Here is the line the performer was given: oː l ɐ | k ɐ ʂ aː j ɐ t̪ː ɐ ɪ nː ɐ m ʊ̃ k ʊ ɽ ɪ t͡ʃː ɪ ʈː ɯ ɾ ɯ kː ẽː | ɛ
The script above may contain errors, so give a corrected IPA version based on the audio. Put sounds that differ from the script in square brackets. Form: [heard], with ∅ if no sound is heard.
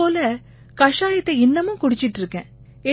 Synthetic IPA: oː l ɐ | k ɐ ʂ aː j ɐ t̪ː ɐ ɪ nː ɐ m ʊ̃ k ʊ ɽ ɪ t͡ʃː ɪ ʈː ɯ ɾ ɯ kː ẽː | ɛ